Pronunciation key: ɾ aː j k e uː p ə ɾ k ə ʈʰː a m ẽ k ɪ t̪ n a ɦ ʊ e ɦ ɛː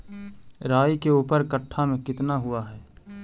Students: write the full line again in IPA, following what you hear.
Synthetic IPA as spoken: ɾ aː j k e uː p ə ɾ k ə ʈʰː a m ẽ k ɪ t̪ n a ɦ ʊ a ɦ ɛː